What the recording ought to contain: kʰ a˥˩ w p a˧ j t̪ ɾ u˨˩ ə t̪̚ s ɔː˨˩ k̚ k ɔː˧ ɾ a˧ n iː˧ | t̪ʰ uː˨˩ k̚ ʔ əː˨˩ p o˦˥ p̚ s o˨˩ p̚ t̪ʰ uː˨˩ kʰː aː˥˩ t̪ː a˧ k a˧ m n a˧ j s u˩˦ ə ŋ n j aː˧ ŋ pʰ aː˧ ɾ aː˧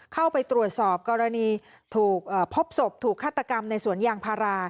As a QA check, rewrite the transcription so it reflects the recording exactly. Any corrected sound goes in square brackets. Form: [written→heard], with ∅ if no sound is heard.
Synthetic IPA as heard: kʰ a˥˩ w p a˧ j t̪ ɾ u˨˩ ə t̪̚ s ɔː˨˩ [k̚→p̚] k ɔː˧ ɾ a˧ n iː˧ | t̪ʰ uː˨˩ k̚ ʔ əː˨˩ [p→pʰ] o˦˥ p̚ s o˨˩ p̚ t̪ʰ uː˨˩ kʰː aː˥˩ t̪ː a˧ k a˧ m n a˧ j s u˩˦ ə [ŋ→∅] n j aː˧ ŋ pʰ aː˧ ɾ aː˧